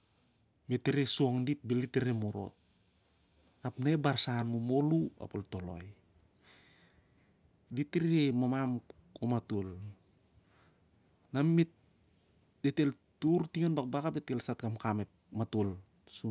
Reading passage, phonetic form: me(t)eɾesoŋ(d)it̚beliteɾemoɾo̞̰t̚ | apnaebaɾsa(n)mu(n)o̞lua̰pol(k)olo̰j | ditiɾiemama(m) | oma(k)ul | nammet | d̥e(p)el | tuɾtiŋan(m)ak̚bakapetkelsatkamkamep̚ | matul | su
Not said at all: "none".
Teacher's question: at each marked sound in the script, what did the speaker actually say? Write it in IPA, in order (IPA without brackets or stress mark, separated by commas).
t, d, n, m, t, m, t, t, b